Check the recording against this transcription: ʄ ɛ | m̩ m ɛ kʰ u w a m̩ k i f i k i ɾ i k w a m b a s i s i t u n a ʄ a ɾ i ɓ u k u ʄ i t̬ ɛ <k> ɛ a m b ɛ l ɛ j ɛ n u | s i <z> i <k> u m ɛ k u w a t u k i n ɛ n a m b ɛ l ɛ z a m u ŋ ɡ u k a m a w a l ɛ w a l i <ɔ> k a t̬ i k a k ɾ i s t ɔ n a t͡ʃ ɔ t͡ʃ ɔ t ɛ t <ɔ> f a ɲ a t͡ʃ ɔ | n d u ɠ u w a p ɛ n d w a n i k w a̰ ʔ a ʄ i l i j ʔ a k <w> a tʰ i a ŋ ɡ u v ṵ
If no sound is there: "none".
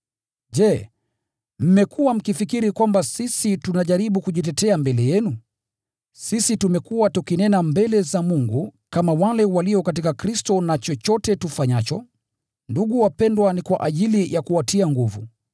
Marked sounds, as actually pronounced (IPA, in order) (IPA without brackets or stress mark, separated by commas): t, s, t, ɔ, u, u